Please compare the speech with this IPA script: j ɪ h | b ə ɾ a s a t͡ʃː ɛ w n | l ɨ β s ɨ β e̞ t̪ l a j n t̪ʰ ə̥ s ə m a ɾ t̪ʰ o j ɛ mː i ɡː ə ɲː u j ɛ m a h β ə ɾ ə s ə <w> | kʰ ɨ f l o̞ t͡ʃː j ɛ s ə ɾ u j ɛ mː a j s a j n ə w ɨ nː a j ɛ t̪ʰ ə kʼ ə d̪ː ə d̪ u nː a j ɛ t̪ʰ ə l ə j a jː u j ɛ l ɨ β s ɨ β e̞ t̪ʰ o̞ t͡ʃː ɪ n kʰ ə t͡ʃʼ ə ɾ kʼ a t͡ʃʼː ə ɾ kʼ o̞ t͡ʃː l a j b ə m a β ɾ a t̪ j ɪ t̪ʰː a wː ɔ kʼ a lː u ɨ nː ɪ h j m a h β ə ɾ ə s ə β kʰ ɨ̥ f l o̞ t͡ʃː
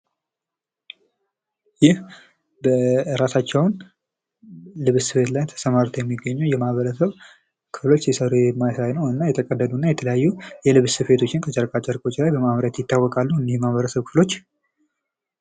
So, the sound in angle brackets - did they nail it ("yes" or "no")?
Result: no